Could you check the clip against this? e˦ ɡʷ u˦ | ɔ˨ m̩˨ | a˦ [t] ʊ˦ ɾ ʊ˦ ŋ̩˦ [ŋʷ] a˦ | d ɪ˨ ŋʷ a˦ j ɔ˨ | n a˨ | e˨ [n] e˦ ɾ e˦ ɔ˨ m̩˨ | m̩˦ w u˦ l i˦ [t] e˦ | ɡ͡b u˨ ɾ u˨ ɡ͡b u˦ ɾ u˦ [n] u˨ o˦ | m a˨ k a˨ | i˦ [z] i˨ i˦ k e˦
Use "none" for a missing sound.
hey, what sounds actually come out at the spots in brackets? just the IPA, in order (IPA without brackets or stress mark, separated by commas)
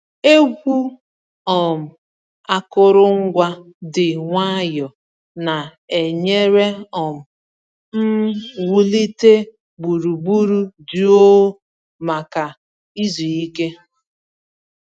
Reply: k, ɡʷ, ɲ, t, d, z